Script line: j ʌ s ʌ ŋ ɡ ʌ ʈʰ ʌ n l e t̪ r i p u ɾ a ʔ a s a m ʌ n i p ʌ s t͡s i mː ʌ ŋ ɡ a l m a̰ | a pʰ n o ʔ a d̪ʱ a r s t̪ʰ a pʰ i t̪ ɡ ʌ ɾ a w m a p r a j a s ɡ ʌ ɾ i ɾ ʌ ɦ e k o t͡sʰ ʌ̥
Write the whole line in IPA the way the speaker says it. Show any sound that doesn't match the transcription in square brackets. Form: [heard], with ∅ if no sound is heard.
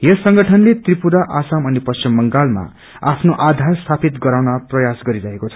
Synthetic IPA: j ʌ s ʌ ŋ ɡ ʌ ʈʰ ʌ n l e t̪ r i p u ɾ a ʔ a s a m ʌ n i p ʌ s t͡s i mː ʌ ŋ ɡ a l m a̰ | a pʰ n o ʔ a d̪ʱ a r s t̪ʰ a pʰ i t̪ ɡ ʌ ɾ a w [n] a p r [ʌ] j a s ɡ ʌ ɾ i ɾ ʌ ɦ e k o t͡sʰ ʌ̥

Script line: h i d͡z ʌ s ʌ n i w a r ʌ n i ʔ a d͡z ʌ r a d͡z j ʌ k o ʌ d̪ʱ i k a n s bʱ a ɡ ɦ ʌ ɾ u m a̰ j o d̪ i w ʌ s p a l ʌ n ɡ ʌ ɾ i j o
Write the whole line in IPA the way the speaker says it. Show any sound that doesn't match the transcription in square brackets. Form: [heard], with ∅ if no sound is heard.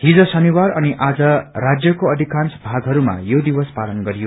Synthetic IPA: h i d͡z ʌ s ʌ n i w a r ʌ n i ʔ a d͡z ʌ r a d͡z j ʌ k o ʌ d̪ʱ i k a n s bʱ a ɡ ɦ ʌ ɾ u m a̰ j o d̪ i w ʌ s p a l ʌ n ɡ ʌ ɾ i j o

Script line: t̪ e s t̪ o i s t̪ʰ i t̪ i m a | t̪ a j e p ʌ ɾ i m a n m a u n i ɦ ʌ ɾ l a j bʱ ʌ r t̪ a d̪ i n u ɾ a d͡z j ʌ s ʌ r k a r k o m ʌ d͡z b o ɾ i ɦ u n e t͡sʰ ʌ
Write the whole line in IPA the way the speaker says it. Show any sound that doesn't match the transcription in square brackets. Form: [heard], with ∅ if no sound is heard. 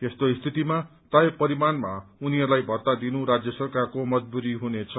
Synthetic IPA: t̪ e s t̪ o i s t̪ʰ i t̪ i m a | t̪ a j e p ʌ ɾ i m a n m a u n i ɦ ʌ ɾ l a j bʱ ʌ r t̪ a d̪ i n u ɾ a d͡z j ʌ s ʌ r k a r k o m ʌ d͡z b [u] ɾ i ɦ u n e t͡sʰ ʌ

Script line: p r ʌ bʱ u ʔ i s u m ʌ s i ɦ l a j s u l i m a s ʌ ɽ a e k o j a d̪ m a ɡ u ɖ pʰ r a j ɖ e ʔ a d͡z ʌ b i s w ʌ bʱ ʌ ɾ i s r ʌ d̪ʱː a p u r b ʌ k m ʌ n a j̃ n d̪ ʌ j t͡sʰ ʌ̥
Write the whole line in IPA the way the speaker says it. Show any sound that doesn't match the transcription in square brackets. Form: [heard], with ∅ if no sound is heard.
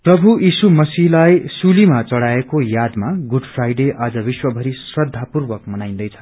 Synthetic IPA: p r ʌ bʱ u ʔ i s u m ʌ s i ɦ l a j s u l i m a [t͡s] ʌ ɽ a e k o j a d̪ m a ɡ u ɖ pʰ r a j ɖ e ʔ a d͡z ʌ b i s w ʌ bʱ ʌ ɾ i s r ʌ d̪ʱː a p u r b ʌ k m ʌ n a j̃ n d̪ ʌ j t͡sʰ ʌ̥

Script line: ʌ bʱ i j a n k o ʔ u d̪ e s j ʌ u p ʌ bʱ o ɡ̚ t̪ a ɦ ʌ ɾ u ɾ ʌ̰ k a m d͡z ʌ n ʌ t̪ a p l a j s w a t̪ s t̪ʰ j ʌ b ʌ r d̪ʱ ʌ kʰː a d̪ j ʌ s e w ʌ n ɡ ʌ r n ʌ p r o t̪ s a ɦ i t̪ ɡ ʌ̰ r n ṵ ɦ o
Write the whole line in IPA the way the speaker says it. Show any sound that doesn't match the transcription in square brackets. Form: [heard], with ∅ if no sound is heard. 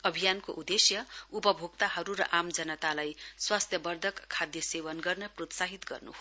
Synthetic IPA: ʌ bʱ i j a n k o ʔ u d̪ e s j ʌ u p ʌ bʱ o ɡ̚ t̪ a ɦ ʌ ɾ u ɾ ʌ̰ [ʔ] a m d͡z ʌ n ʌ t̪ a [∅] l a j s w a [∅] s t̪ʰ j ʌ b ʌ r d̪ʱ ʌ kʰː a d̪ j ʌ s e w ʌ n ɡ ʌ r n ʌ p r o t̪ s a ɦ i t̪ ɡ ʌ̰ r n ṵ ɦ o

